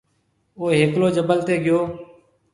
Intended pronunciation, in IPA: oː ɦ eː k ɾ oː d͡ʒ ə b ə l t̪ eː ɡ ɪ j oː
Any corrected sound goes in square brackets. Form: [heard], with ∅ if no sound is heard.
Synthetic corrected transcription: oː ɦ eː k [l] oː d͡ʒ ə b ə l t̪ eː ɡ ɪ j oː